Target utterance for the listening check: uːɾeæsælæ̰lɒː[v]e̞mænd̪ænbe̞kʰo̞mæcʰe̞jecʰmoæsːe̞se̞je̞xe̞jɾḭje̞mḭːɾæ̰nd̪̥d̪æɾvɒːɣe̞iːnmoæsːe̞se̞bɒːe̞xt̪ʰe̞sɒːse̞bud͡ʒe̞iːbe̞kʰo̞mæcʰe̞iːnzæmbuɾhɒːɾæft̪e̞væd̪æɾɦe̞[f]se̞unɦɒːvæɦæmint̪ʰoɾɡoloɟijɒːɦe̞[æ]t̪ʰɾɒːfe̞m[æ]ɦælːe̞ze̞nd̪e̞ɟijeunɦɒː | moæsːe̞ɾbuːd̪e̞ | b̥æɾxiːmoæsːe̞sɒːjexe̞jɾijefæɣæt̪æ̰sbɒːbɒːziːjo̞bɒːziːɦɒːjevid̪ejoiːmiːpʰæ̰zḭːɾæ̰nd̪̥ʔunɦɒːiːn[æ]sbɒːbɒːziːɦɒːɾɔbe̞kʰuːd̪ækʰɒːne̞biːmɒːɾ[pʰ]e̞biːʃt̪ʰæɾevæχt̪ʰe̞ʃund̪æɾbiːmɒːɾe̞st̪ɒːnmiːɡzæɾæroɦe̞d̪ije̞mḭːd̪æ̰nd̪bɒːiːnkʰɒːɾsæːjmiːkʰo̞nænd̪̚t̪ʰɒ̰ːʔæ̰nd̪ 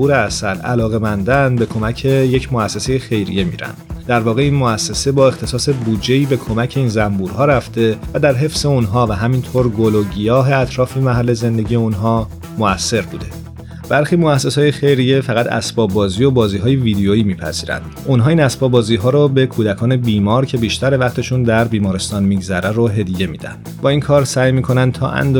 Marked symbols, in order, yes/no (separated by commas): no, yes, yes, yes, yes, no